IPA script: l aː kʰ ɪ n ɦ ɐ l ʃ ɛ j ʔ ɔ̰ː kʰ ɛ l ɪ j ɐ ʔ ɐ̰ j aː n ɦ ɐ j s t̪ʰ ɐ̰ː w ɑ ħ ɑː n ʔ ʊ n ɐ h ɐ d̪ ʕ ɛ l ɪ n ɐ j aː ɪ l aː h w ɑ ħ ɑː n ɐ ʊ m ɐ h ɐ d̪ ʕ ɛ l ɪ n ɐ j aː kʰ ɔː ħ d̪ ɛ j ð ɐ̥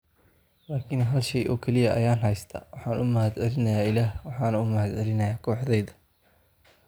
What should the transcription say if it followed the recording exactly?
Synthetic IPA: l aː kʰ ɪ n ɦ ɐ l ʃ ɛ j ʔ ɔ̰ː kʰ ɛ l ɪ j ɐ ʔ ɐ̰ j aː n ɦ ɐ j s t̪ʰ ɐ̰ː w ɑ ħ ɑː n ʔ ʊ m ɐ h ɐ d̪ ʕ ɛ l ɪ n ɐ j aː ɪ l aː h w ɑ ħ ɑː n ɐ ʊ m ɐ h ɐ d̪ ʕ ɛ l ɪ n ɐ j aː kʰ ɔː ħ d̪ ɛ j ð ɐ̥